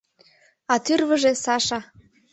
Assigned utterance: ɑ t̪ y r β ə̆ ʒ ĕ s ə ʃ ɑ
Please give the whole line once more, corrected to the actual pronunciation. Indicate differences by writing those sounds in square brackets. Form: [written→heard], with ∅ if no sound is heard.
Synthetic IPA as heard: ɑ t̪ y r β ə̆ ʒ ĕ s [ə→ɑ] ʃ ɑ